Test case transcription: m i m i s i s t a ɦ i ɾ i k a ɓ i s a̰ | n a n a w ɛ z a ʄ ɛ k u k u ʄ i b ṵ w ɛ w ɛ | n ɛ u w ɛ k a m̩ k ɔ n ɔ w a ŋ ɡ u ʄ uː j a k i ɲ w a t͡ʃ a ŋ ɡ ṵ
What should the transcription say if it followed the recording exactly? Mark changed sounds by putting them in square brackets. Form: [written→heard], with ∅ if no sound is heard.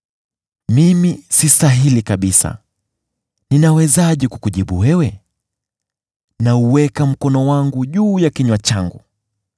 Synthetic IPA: m i m i s i s t a ɦ i [ɾ→l] i k a ɓ i s a̰ | n [a→i] n a w ɛ z a ʄ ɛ k u k u ʄ i [b→ɓ] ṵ w ɛ w ɛ | n [ɛ→a] u w ɛ k a m̩ k ɔ n ɔ w a ŋ ɡ u ʄ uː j a k i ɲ w a t͡ʃ a ŋ ɡ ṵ